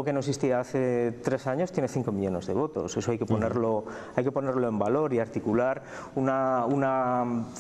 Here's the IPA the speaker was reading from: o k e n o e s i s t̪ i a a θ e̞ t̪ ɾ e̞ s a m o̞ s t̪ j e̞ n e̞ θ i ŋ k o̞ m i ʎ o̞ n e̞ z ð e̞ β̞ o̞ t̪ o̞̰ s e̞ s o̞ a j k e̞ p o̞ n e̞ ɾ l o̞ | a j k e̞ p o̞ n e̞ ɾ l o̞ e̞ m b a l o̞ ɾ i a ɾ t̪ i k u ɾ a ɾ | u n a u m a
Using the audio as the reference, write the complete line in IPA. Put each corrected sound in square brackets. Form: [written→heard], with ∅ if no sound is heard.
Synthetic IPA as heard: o k e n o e s i s t̪ i a a θ e̞ t̪ ɾ e̞ s a [m→ɲ] o̞ s t̪ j e̞ n e̞ θ i ŋ k o̞ m i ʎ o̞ n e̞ z ð e̞ β̞ o̞ t̪ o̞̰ s e̞ s o̞ a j k e̞ p o̞ n e̞ ɾ l o̞ | a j k e̞ p o̞ n e̞ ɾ l o̞ e̞ m b a l o̞ ɾ i a ɾ t̪ i k u [ɾ→l] a ɾ | u n a u [m→n] a